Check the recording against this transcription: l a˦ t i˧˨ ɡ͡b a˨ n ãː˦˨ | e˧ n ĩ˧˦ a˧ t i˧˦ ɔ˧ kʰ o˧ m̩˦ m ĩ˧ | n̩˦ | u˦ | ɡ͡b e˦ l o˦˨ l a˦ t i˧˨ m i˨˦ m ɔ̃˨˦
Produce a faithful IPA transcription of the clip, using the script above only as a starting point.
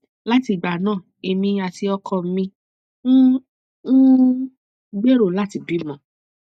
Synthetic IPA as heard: l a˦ t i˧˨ ɡ͡b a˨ n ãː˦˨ | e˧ m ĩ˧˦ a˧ t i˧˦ ɔ˧ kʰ ɔ˧ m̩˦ m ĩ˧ | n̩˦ | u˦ | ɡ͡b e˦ ɾ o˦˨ l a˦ t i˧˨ b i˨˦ m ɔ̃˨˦